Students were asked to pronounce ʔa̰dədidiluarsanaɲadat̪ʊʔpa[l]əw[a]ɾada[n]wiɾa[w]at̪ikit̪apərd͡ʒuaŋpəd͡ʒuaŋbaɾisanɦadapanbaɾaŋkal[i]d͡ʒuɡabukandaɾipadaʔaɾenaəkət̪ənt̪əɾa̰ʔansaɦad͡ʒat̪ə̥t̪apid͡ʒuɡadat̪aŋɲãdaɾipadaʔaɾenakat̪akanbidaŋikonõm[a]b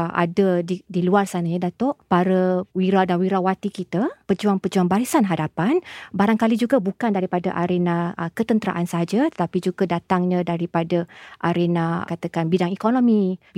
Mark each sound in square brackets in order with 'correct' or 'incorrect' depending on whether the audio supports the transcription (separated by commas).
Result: incorrect, incorrect, correct, correct, correct, incorrect